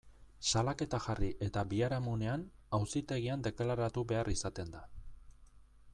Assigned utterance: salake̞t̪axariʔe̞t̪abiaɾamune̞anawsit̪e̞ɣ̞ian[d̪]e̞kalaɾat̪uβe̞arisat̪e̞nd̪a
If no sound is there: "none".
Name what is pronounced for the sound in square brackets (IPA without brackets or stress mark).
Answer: d̪